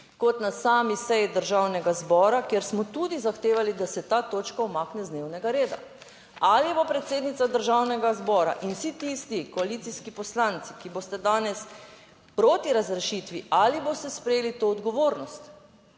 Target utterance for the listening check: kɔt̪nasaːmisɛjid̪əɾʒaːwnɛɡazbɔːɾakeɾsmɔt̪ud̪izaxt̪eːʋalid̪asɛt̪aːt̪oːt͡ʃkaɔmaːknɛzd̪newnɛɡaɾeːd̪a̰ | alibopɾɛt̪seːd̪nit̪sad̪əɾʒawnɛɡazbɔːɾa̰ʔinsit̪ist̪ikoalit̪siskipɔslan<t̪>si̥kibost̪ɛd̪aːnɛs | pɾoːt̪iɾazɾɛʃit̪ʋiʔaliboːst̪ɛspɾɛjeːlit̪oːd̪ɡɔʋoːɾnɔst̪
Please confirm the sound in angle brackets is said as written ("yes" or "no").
yes